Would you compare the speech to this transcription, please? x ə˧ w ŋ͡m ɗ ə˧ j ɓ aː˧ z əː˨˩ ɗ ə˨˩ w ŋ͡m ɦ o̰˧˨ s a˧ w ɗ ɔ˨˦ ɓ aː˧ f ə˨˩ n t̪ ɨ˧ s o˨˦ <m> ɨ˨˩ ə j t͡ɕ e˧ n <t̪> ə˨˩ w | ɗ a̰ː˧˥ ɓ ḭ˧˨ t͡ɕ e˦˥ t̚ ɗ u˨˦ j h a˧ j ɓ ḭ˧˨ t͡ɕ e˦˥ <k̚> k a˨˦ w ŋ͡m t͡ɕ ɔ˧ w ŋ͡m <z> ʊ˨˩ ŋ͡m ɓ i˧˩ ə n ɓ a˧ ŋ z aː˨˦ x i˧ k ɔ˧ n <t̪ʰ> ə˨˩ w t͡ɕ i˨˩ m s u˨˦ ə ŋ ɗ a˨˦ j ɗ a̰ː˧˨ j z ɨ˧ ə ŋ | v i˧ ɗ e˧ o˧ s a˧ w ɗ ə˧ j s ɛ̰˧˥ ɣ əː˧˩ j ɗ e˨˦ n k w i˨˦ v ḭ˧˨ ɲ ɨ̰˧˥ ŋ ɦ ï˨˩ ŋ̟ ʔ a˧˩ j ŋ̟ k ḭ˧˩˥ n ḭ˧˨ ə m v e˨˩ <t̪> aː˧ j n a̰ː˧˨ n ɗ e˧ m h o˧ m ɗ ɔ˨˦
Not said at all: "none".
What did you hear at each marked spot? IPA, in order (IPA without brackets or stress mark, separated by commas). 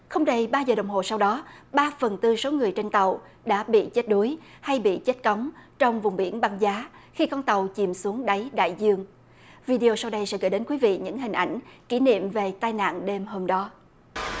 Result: ŋ, t̪, t̚, v, t̪, t̪